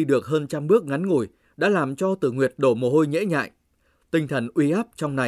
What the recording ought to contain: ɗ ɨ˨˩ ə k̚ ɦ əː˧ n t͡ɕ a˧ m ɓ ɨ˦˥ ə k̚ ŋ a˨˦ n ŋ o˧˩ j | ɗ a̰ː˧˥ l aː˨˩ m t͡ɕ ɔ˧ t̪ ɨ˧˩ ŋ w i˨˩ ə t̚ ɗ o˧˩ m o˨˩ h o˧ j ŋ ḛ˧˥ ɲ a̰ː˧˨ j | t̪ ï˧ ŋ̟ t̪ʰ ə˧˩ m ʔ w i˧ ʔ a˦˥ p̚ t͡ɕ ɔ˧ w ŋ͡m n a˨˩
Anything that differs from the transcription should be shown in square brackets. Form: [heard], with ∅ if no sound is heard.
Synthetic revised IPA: ɗ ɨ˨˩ ə k̚ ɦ əː˧ n t͡ɕ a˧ m ɓ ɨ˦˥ ə k̚ ŋ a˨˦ n ŋ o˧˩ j | ɗ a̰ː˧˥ l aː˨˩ m t͡ɕ ɔ˧ t̪ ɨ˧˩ ŋ w i˨˩ ə t̚ ɗ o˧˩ m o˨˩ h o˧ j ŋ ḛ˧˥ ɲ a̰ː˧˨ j | t̪ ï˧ ŋ̟ t̪ʰ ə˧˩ [n] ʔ w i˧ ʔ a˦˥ p̚ t͡ɕ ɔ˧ w ŋ͡m n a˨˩